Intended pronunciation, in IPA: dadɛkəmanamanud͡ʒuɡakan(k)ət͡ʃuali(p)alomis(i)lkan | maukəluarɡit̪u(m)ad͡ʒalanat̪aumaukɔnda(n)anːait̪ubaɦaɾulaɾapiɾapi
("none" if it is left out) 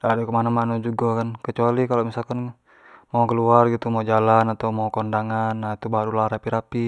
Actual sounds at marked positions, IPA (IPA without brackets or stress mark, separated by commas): k, k, a, m, ŋ